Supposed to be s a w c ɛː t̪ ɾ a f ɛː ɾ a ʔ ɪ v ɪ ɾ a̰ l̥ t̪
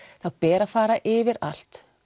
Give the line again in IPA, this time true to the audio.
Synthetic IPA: θ a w p ɛː ɾ a f aː ɾ a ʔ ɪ v ɪ ɾ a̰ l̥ t̪